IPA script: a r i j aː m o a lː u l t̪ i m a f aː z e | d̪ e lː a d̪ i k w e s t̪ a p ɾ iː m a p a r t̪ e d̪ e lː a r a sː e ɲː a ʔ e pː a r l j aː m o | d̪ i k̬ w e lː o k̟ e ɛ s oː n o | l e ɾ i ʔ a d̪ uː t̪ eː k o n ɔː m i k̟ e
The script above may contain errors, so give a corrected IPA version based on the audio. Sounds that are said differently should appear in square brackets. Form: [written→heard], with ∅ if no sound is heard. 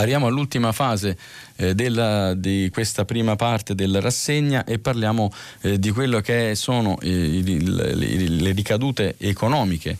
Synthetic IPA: a r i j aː m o a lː u l t̪ i m a f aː z e | d̪ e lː a d̪ i k w e s t̪ a p ɾ iː m a p a r t̪ e d̪ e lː a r a sː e ɲː a ʔ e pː a r l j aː m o | d̪ i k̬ w e lː o k̟ e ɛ s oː n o | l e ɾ i [ʔ→k] a d̪ uː t̪ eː k o n ɔː m i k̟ e